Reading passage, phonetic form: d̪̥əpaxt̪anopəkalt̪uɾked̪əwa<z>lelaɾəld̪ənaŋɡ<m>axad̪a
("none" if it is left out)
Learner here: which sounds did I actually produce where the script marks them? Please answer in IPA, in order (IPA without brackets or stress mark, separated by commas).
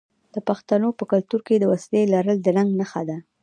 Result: s, n